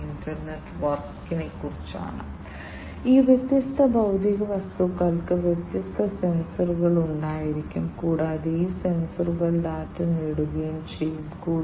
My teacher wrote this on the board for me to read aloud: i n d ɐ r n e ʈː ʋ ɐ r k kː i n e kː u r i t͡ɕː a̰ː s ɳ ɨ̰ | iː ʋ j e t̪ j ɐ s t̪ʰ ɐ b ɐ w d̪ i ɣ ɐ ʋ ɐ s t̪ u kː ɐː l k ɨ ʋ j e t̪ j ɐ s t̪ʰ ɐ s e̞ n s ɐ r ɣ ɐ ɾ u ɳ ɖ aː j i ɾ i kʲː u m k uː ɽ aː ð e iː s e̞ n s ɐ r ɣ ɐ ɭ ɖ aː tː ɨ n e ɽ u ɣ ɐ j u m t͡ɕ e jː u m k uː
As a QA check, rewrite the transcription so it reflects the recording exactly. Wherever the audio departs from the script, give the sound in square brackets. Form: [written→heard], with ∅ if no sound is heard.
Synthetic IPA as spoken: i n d ɐ r n e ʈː ʋ ɐ r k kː i n e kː u r i t͡ɕː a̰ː [s→∅] ɳ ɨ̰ | iː ʋ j e t̪ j ɐ s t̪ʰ ɐ b ɐ w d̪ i ɣ ɐ ʋ ɐ s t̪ u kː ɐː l k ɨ ʋ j e t̪ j ɐ s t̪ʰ ɐ s e̞ n s ɐ r ɣ ɐ [ɾ→ɭ] u ɳ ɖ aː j i ɾ i kʲː u m k uː ɽ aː ð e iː s e̞ n s ɐ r ɣ ɐ ɭ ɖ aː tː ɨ n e ɽ u ɣ ɐ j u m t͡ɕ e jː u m k uː

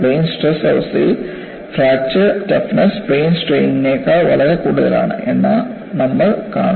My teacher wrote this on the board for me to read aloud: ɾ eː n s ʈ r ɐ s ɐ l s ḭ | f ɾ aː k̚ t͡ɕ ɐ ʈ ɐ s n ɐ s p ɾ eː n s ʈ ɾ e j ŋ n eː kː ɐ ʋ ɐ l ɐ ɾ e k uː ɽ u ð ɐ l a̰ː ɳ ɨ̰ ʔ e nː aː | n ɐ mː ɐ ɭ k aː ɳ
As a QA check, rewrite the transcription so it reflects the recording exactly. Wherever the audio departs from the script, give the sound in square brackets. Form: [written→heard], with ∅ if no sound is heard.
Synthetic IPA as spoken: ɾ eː n s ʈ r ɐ s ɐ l s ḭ | f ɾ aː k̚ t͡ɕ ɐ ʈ ɐ [s→f] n ɐ s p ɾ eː n s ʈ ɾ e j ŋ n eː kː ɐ ʋ ɐ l ɐ ɾ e k uː ɽ u ð ɐ l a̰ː ɳ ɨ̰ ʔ e nː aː | n ɐ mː ɐ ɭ k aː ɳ

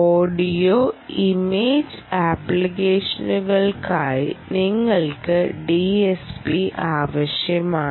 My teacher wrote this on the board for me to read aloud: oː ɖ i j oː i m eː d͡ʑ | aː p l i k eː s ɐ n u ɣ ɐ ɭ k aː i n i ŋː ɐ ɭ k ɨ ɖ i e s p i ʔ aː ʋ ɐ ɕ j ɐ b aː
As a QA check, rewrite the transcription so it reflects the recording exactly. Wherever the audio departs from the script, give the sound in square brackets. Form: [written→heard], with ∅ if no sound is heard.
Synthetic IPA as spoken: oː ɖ i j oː i m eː d͡ʑ | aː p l i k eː [s→ʂ] ɐ n u ɣ ɐ ɭ k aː [i→j] n i ŋː ɐ ɭ k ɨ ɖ i e s p i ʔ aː ʋ ɐ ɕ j ɐ [b→m] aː

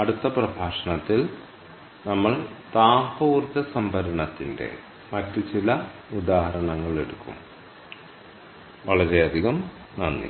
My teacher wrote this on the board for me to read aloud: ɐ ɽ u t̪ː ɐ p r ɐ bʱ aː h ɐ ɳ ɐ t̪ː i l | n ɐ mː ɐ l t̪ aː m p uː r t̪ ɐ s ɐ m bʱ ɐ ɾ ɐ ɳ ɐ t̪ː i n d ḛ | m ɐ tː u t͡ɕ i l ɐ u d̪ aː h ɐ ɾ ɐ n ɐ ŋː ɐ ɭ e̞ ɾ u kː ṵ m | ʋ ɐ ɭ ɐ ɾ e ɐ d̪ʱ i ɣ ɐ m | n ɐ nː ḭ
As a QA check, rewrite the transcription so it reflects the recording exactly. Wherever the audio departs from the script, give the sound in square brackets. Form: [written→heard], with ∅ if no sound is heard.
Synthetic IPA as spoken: ɐ ɽ u t̪ː ɐ p r ɐ bʱ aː [h→ʂ] ɐ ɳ ɐ t̪ː i l | n ɐ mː ɐ [l→ɭ] t̪ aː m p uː r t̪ ɐ s ɐ m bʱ ɐ ɾ ɐ ɳ ɐ t̪ː i n d ḛ | m ɐ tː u t͡ɕ i l ɐ u d̪ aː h ɐ ɾ ɐ [n→ɳ] ɐ ŋː ɐ ɭ e̞ [ɾ→ɽ] u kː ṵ m | ʋ ɐ ɭ ɐ ɾ e ɐ d̪ʱ i ɣ ɐ m | n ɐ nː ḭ

